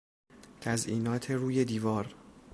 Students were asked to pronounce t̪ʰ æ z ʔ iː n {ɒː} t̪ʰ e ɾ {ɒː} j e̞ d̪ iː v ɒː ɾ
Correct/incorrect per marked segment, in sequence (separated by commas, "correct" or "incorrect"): correct, incorrect